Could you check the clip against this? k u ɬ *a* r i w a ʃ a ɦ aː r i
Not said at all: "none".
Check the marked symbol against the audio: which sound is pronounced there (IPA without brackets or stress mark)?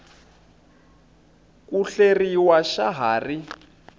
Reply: e